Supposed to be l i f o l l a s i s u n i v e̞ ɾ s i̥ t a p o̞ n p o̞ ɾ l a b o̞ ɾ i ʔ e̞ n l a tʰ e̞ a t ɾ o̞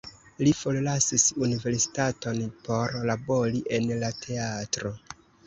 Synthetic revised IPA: l i f o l l a s i s u n i v e̞ ɾ s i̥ t a t o̞ n p o̞ ɾ l a b o̞ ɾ i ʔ e̞ n l a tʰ e̞ a t ɾ o̞

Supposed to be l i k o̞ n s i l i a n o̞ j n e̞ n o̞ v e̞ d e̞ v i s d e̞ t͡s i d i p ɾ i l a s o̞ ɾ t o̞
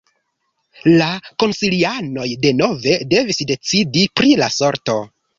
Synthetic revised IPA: l a k o̞ n s i l i a n o̞ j d e̞ n o̞ v e̞ d e̞ v i s d e̞ t͡s i d i p ɾ i l a s o̞ ɾ t o̞

